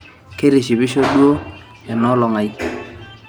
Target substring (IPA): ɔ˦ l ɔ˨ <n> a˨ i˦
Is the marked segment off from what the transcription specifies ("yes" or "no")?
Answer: yes